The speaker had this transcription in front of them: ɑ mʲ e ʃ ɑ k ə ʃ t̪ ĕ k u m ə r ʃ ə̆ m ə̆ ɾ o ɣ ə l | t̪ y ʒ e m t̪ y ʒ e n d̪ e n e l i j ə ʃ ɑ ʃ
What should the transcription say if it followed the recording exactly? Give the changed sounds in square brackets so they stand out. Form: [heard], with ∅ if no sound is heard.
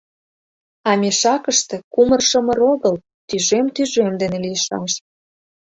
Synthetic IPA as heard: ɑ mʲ e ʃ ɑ k ə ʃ t̪ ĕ k u m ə r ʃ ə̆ m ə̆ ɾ o ɣ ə l | t̪ y ʒ e m t̪ y ʒ e [m] d̪ e n e l i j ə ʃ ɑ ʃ